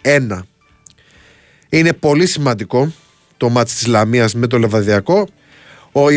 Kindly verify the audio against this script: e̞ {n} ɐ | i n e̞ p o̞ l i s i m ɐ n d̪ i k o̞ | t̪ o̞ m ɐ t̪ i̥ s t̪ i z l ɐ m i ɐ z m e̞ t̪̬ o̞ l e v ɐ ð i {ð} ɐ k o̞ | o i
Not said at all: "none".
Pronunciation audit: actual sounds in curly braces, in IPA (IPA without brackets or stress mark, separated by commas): n, none